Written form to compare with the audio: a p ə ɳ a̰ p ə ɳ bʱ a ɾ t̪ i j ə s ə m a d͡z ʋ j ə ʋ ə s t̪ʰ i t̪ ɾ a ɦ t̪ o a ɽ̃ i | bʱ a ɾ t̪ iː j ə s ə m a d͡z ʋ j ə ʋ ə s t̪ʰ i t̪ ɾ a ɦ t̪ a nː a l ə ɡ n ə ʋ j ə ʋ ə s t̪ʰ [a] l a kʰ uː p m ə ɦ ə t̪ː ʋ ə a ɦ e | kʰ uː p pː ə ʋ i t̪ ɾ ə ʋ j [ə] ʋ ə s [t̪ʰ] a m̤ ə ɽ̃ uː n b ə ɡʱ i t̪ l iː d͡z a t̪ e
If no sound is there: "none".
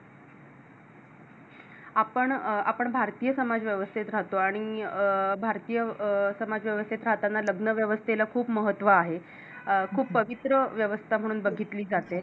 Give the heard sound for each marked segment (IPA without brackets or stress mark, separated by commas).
e, ə, t̪ʰ